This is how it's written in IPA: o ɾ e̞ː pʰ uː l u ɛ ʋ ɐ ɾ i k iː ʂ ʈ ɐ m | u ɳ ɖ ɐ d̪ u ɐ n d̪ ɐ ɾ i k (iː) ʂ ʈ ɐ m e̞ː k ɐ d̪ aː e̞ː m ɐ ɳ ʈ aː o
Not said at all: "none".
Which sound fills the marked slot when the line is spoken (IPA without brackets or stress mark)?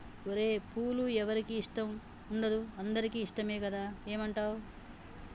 iː